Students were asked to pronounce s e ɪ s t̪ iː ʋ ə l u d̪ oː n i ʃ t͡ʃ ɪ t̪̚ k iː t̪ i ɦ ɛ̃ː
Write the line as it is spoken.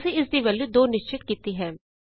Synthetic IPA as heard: s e ɪ s d̪ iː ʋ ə l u d̪ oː n ɪ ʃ t͡ʃ ɪ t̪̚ k iː t̪ i ɦ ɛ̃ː